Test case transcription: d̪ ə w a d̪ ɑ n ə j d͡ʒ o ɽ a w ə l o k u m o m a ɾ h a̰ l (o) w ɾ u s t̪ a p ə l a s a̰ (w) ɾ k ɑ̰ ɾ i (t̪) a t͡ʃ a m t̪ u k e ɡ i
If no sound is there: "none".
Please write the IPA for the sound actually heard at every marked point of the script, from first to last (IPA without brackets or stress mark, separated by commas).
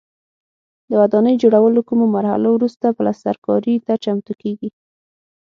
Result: o, none, t̪